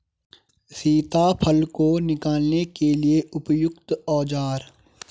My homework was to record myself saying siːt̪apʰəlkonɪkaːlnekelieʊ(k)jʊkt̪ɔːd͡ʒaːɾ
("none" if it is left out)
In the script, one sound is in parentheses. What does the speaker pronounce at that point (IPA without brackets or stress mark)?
p